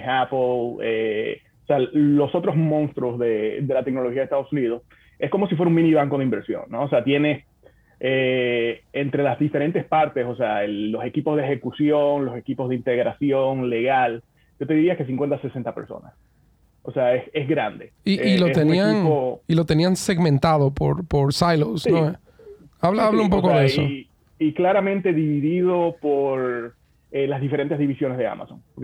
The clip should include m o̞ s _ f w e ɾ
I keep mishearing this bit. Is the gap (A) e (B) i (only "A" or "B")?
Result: B